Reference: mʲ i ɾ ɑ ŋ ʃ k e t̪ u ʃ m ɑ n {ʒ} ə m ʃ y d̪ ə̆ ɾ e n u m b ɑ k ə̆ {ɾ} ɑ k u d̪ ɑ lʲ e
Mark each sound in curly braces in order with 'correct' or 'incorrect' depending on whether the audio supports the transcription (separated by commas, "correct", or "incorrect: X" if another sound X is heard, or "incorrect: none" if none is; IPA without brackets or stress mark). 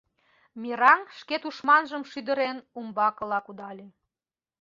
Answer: correct, incorrect: l